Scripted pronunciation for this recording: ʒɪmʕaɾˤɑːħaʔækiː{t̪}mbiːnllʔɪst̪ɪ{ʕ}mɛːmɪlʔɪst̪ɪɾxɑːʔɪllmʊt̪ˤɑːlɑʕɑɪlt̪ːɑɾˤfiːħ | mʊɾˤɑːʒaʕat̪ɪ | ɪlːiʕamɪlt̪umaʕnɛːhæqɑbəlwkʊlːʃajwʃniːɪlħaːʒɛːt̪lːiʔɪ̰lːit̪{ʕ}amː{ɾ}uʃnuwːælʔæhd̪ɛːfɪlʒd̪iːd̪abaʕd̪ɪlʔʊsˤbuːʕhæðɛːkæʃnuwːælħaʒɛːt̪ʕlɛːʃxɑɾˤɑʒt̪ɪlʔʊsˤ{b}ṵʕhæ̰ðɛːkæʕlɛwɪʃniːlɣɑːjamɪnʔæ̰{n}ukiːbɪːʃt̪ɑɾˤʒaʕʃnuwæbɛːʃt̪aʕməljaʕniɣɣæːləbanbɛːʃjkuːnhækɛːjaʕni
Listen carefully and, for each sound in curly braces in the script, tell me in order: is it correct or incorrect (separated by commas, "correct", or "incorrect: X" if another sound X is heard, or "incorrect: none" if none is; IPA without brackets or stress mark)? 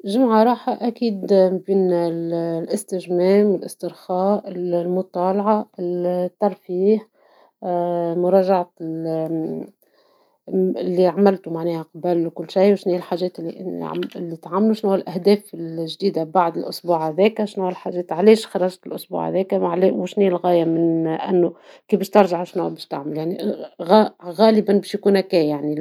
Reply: incorrect: d̪, incorrect: ʒ, correct, incorrect: l, correct, incorrect: nː